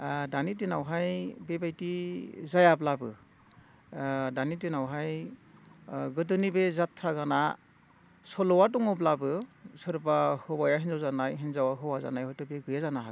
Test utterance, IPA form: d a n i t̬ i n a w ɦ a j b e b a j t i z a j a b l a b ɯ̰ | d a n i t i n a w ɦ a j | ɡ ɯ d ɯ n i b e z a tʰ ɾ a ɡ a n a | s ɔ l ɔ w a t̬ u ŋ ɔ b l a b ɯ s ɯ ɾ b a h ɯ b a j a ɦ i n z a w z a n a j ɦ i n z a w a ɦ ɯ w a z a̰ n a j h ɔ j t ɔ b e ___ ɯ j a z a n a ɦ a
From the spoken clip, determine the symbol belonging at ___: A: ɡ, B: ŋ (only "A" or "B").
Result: A